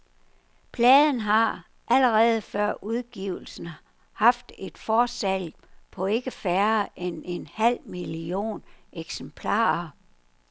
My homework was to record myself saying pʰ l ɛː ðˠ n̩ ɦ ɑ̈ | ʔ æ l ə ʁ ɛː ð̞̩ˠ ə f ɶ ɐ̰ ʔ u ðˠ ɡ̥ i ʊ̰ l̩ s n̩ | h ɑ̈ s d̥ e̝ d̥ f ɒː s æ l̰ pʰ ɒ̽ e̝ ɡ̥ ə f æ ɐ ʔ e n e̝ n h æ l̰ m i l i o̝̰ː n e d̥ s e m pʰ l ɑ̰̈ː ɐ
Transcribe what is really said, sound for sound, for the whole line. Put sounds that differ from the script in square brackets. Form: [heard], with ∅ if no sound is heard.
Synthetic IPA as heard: pʰ l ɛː ðˠ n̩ ɦ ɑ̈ | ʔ æ l ə ʁ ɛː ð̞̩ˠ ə f ɶ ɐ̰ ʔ u ðˠ ɡ̥ i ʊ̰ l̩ s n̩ | h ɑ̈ [f] d̥ e̝ d̥ f ɒː s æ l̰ pʰ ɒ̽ e̝ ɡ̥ ə f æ ɐ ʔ e n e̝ n h æ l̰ m i l i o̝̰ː n e [ɡ̥] s e m pʰ l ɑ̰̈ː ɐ